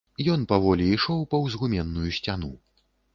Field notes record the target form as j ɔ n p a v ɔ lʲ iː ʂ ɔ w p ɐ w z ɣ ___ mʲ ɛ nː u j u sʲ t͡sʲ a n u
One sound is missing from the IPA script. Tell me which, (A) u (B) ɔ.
A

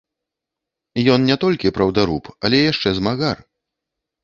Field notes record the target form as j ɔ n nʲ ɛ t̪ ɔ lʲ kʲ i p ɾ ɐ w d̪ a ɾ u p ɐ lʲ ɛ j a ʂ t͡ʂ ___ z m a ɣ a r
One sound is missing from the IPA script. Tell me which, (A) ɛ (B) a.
A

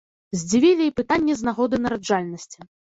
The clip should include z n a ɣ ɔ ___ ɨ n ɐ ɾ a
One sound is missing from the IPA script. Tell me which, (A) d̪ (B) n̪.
A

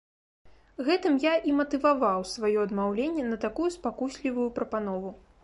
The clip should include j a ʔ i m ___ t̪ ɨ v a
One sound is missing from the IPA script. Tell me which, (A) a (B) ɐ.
B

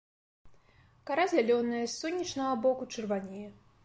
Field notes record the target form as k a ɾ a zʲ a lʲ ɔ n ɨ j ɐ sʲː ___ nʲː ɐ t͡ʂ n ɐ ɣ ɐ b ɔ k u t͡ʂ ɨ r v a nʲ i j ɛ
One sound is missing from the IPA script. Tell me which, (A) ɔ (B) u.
A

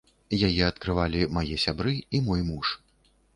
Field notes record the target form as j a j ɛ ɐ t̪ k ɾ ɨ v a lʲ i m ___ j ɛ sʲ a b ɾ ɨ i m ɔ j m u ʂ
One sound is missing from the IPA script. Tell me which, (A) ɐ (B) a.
B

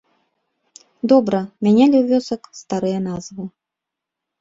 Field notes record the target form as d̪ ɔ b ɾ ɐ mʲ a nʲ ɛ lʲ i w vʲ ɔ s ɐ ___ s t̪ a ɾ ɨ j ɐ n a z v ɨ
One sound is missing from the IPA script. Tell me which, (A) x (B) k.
B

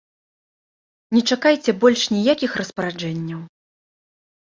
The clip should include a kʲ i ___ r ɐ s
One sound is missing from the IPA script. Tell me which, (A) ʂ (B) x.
B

